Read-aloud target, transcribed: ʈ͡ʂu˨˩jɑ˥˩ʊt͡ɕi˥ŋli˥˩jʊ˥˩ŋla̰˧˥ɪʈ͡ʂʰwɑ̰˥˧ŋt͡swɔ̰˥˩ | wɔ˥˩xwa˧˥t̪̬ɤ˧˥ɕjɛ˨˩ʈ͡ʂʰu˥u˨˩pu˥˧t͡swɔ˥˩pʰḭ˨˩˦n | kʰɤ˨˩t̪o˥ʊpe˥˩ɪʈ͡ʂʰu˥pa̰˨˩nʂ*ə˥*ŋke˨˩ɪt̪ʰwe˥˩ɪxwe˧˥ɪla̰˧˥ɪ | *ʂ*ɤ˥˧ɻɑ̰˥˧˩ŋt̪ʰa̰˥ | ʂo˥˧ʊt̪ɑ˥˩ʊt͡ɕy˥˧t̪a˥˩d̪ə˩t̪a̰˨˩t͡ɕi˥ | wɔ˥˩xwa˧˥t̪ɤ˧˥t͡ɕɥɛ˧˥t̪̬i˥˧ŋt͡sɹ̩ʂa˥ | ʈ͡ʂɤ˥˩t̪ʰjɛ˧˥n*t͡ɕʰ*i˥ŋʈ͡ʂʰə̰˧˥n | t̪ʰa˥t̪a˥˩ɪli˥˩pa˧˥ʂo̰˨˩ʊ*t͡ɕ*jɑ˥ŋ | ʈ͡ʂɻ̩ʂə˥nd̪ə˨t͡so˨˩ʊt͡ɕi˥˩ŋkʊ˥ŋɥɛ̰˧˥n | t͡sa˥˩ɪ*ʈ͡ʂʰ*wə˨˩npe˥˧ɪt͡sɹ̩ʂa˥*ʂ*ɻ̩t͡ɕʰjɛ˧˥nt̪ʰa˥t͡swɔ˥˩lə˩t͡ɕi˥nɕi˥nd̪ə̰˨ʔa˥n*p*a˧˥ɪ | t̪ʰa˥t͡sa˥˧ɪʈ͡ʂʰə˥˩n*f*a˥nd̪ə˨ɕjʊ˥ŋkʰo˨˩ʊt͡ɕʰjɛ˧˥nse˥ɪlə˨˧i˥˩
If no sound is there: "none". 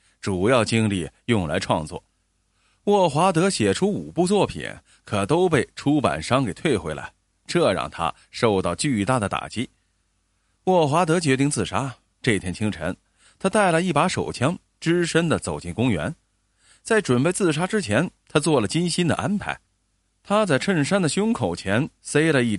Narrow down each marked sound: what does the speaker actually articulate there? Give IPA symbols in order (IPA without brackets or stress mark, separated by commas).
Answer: ɑ˥, ʈ͡ʂ, t͡ɕʰ, t͡ɕʰ, ʈ͡ʂ, ʈ͡ʂ, pʰ, ʂ